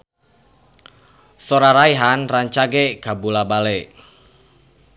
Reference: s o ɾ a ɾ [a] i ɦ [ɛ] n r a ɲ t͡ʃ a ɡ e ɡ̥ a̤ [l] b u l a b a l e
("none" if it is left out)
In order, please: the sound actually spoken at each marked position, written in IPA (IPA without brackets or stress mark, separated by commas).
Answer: a, a, none